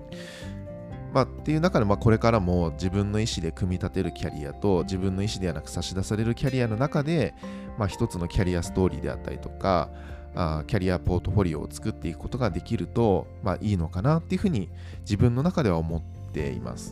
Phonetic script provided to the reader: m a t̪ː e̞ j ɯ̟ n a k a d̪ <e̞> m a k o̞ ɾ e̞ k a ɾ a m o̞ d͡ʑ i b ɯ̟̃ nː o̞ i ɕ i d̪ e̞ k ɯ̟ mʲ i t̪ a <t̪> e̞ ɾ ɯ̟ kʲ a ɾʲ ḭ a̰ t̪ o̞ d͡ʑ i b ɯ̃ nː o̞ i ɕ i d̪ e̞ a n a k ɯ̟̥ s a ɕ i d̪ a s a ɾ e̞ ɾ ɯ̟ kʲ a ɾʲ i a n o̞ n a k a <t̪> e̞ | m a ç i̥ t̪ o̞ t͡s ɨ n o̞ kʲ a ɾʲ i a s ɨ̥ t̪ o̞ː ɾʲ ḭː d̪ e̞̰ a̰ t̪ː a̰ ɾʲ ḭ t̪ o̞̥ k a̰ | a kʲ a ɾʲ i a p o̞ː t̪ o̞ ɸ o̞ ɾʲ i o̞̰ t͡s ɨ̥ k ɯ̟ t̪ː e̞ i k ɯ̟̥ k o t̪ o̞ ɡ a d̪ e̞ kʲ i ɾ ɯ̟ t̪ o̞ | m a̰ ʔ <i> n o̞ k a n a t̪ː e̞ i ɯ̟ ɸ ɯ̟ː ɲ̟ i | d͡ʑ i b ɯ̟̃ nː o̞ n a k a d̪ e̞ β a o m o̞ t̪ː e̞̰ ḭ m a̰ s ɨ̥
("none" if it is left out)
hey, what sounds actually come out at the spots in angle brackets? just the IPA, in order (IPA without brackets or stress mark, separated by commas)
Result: e̞, t̪, d̪, iː